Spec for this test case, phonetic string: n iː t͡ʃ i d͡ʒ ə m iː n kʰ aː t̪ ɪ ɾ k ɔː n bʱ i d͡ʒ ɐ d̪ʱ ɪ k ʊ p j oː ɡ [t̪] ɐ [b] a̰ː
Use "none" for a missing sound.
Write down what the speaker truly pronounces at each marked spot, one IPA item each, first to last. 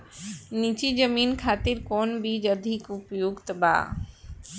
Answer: t̪, b

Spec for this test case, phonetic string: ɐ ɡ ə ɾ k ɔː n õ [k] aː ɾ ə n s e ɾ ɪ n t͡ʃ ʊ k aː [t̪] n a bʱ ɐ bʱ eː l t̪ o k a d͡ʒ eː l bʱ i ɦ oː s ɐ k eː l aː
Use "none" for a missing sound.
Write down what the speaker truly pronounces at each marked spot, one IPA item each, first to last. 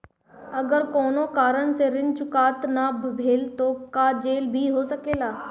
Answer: k, t̪

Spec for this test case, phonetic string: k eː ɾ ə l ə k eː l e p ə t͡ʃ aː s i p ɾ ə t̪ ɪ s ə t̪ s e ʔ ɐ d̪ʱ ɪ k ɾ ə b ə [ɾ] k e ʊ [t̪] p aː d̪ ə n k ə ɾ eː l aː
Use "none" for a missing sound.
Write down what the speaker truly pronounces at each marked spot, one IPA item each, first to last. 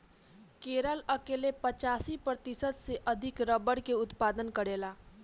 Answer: ɽ, t̪

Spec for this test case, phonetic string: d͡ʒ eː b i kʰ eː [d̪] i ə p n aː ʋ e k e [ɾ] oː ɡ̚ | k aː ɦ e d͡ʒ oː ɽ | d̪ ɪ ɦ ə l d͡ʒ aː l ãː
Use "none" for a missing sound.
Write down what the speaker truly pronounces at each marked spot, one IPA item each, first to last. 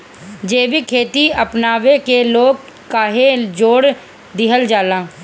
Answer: t̪, l

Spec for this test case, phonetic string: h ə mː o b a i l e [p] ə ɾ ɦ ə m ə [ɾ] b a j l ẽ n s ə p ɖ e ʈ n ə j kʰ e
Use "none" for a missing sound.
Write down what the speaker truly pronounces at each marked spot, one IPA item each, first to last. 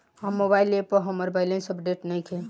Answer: p, ɾ

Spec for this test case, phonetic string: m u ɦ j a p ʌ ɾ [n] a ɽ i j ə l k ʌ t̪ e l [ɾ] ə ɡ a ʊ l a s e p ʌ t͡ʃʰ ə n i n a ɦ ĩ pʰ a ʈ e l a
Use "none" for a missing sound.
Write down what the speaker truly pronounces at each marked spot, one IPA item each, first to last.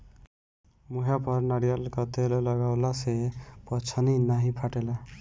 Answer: n, l

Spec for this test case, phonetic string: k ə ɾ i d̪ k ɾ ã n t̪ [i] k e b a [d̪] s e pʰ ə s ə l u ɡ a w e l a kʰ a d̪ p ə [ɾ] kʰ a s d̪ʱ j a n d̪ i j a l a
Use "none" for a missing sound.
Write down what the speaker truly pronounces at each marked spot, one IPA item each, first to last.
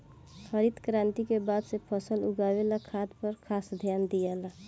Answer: i, d̪, ɾ

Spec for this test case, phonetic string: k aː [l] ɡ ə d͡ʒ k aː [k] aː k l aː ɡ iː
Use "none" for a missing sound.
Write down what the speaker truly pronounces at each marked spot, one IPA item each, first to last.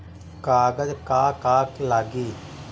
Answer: none, k

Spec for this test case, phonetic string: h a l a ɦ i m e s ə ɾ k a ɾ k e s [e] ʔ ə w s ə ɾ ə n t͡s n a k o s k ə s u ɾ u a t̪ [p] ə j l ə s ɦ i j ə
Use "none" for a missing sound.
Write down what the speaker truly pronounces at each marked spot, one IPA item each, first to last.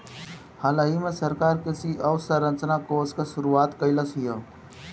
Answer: i, k

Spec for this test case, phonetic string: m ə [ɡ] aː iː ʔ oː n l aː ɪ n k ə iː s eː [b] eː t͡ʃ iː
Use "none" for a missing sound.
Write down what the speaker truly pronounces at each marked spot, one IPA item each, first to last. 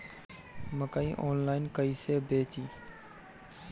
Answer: k, b

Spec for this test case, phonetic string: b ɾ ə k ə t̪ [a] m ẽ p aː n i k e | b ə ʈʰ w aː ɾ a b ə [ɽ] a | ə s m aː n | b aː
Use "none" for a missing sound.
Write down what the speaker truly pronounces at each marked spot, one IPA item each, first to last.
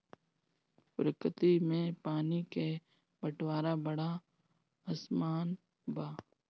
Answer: i, ɽ

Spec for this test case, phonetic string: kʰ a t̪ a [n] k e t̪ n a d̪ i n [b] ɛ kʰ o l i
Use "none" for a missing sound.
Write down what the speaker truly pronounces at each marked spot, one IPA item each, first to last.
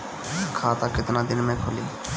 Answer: none, m

